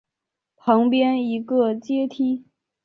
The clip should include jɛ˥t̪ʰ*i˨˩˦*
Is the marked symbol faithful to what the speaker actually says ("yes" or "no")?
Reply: no